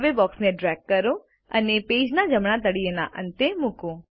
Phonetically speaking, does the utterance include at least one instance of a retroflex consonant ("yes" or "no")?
yes